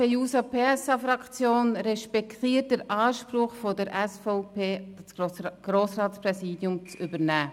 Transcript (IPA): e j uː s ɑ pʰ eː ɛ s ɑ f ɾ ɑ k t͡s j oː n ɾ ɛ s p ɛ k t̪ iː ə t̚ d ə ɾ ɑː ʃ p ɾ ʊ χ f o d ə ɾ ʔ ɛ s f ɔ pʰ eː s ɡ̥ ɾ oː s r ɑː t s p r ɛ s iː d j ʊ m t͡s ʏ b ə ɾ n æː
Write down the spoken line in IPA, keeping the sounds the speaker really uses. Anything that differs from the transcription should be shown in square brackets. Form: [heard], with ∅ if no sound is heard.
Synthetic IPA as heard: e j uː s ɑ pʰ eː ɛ s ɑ f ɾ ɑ k t͡s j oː n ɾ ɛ [ʃ] p ɛ k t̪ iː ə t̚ d ə ɾ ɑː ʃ p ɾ ʊ χ f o d ə ɾ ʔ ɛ s f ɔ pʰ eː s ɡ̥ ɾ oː s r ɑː t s p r ɛ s iː d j ʊ m t͡s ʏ b ə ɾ n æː